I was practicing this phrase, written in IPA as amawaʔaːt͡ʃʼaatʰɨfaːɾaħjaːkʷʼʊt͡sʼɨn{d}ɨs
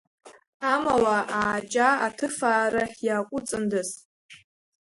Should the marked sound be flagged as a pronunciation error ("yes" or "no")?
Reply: no